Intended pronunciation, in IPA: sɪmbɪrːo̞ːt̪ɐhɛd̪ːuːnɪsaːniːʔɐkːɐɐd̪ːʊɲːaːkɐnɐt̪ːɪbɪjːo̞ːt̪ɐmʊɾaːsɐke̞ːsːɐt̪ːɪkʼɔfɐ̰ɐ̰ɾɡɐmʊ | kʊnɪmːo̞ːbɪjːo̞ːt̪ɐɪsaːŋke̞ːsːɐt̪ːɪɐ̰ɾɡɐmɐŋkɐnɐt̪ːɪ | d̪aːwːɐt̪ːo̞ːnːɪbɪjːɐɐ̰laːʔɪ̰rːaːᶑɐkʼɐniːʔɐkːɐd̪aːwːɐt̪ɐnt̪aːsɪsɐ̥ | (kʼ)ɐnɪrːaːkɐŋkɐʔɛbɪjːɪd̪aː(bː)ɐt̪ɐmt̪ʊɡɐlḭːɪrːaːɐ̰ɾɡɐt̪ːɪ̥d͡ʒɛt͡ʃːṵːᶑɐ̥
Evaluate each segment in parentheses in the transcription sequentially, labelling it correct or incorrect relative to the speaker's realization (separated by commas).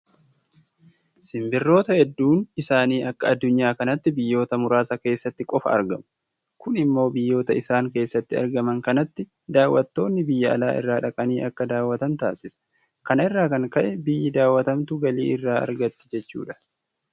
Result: incorrect, incorrect